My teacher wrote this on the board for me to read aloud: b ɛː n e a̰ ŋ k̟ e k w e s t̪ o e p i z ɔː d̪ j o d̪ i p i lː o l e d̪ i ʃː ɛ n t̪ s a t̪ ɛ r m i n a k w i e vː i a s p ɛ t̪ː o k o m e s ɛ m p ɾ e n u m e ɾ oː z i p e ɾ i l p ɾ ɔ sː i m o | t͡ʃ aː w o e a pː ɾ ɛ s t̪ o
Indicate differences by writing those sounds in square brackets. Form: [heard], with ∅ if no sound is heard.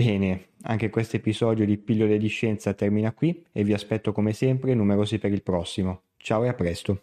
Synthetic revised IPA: b ɛː n e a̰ ŋ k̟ e k w e s t̪ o e p i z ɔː d̪ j o d̪ i p i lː o l e d̪ i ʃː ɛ n t̪ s a t̪ ɛ r m i n a k w i e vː i a s p ɛ t̪ː o k o m e s ɛ m p ɾ e n u m e ɾ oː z i p e ɾ i l p ɾ ɔ sː i m o | t͡ʃ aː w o e a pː ɾ ɛ s t̪ o